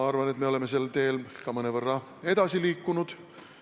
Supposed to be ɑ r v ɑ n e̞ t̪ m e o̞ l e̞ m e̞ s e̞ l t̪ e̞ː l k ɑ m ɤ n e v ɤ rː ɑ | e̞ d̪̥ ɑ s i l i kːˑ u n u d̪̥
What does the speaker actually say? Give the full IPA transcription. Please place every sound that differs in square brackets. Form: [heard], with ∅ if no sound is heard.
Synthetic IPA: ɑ r v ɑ n e̞ t̪ m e o̞ l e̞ m e̞ s e̞ l t̪ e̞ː l k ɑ m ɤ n e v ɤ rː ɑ | e̞ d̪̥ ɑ s i l [iː] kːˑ u n u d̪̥